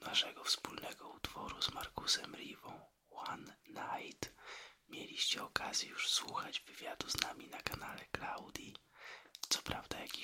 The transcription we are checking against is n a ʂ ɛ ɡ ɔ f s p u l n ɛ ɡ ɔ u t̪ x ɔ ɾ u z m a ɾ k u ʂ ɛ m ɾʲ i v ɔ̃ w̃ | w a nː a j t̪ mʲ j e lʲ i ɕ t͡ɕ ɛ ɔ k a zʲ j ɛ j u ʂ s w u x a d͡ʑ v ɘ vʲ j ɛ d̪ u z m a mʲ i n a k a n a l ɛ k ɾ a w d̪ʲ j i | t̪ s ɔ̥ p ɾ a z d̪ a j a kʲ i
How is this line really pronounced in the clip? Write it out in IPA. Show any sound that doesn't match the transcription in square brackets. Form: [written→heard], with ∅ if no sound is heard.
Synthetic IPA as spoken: n a ʂ ɛ ɡ ɔ f s p u l n ɛ ɡ ɔ u t̪ [x→f] ɔ ɾ u z m a ɾ k u [ʂ→s] ɛ m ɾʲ i v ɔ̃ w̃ | w a nː a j t̪ mʲ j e lʲ i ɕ t͡ɕ ɛ ɔ k a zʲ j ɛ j u ʂ s w u x a d͡ʑ v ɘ vʲ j [ɛ→a] d̪ u z [m→n] a mʲ i n a k a n a l ɛ k [ɾ→l] a w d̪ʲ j i | t̪ s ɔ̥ p ɾ a [z→v] d̪ a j a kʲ i